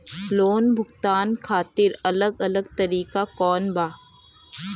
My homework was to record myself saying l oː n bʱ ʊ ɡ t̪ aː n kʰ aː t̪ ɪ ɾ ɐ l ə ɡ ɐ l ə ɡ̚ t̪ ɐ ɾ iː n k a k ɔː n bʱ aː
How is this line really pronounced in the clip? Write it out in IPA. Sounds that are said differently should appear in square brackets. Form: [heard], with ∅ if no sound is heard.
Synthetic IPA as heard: l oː n bʱ ʊ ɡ t̪ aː n kʰ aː t̪ ɪ ɾ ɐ l ə ɡ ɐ l ə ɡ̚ t̪ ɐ ɾ iː [∅] k a k ɔː n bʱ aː